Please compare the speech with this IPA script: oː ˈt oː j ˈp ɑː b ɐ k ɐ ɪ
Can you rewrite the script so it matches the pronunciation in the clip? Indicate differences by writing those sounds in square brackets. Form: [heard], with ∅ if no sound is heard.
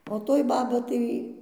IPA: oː ˈt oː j [ˈb] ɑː b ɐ [t] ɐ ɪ